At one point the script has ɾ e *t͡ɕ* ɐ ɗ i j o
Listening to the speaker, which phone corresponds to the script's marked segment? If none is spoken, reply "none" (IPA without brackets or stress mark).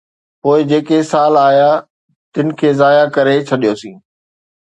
t͡ɕʰ